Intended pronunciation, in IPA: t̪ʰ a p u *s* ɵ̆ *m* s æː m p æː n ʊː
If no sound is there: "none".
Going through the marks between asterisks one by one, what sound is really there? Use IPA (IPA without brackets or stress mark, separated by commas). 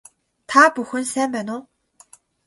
x, n